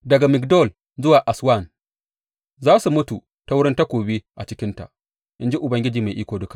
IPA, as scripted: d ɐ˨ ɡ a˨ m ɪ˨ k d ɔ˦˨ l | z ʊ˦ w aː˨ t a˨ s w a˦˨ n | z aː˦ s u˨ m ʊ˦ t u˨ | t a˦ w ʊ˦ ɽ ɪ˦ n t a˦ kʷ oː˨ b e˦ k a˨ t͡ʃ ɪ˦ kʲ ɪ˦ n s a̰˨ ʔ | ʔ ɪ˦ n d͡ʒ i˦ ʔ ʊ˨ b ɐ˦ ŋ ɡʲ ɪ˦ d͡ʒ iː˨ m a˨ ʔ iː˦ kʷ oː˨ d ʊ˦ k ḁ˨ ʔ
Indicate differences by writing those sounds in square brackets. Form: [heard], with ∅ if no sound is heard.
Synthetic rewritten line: d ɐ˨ ɡ a˨ m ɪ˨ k d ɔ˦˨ l | z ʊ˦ w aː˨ [ʔ] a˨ s w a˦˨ n | z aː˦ s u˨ m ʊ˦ t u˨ | t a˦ w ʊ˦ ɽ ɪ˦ n t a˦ kʷ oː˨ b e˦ [ʔ] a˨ t͡ʃ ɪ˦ kʲ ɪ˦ n [t] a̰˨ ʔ | ʔ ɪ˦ n d͡ʒ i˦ ʔ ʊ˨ b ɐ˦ ŋ ɡʲ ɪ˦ d͡ʒ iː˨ m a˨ ʔ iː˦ kʷ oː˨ d ʊ˦ k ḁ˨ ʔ